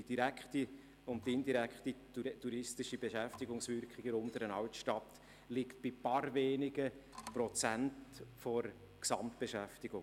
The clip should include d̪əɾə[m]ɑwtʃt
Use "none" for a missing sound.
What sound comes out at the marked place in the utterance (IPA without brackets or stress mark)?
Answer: n